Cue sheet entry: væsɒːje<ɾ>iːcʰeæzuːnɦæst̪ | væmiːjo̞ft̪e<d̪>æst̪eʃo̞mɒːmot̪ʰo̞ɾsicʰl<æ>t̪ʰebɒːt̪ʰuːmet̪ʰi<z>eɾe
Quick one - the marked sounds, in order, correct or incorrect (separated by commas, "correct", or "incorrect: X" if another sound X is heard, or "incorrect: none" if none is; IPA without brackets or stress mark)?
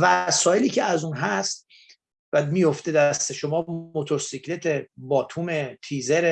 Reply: incorrect: l, correct, incorrect: e, correct